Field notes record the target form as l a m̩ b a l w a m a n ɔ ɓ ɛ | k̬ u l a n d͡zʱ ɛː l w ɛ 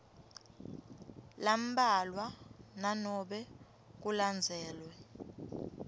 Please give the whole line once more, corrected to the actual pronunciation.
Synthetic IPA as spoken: l a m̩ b a l w a n a n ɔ ɓ ɛ | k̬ u l a n d͡zʱ ɛː l w ɛ